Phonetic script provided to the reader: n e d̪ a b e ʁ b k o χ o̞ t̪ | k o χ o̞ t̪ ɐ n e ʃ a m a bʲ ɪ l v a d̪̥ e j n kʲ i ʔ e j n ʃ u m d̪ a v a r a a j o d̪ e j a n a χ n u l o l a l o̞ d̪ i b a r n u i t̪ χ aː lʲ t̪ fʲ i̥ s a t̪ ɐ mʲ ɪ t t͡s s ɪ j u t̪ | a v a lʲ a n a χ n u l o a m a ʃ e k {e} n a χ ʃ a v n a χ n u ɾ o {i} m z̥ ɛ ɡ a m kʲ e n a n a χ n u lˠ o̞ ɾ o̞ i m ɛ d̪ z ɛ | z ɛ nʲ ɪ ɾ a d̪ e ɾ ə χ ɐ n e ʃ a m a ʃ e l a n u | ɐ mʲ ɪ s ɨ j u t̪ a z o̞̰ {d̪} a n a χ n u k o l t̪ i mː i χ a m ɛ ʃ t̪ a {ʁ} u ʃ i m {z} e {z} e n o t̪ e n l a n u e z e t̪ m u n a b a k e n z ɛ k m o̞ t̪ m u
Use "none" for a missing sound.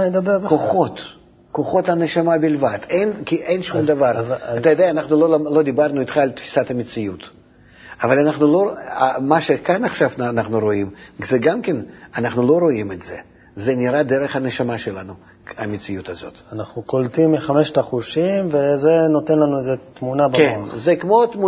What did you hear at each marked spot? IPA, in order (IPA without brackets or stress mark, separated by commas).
a, i, t̪, χ, v, z